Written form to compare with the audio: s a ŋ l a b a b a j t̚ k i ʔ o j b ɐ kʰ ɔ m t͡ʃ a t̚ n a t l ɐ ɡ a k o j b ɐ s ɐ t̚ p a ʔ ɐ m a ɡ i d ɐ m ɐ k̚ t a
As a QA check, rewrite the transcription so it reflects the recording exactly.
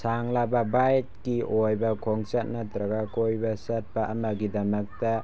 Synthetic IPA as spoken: s a ŋ l a b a b a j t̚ k i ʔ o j b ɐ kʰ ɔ ŋ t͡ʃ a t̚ n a t ɾ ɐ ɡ a k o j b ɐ s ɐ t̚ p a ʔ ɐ m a ɡ i d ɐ m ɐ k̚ t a